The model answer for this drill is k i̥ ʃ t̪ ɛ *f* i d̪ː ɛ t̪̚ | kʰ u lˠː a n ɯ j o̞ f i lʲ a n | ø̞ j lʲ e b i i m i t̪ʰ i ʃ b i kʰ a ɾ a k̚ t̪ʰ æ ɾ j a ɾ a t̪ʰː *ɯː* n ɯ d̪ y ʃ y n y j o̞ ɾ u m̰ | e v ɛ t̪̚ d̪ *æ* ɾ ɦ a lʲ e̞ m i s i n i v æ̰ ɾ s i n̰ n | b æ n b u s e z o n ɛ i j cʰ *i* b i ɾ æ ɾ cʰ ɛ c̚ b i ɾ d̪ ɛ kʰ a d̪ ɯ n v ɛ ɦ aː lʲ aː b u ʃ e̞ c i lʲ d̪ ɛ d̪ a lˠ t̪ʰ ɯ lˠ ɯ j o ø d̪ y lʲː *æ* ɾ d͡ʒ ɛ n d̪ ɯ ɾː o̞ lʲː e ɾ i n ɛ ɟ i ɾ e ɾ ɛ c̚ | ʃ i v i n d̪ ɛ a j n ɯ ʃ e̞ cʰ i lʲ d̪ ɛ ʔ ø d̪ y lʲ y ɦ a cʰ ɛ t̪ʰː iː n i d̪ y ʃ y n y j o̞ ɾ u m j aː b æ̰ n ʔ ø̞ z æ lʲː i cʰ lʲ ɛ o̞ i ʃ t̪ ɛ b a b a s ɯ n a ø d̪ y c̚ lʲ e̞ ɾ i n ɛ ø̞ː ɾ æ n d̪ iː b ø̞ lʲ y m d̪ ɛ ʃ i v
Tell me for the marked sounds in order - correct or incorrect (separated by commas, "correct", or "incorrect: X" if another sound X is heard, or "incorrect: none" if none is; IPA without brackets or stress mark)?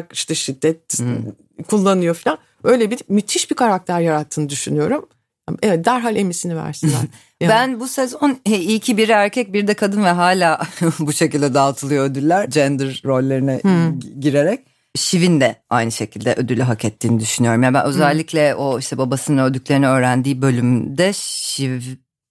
incorrect: ʃ, correct, correct, correct, correct